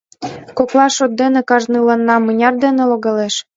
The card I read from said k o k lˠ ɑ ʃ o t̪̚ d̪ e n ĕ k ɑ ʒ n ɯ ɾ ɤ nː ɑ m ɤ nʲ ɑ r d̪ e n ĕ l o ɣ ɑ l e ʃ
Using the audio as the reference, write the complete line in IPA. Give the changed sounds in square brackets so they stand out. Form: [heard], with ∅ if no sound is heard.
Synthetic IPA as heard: k o k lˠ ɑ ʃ o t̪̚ d̪ e n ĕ k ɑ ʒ n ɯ [l] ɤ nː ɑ m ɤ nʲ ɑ r d̪ e n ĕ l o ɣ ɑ l e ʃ